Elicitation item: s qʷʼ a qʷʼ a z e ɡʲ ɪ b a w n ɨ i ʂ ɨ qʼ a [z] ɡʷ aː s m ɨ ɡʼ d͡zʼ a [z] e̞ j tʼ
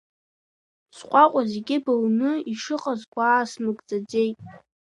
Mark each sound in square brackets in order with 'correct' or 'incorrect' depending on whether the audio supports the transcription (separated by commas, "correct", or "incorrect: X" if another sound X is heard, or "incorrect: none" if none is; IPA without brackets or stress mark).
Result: correct, incorrect: d͡z